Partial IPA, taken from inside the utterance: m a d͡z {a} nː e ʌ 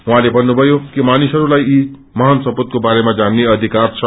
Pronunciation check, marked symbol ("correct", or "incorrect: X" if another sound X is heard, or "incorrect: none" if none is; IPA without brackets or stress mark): correct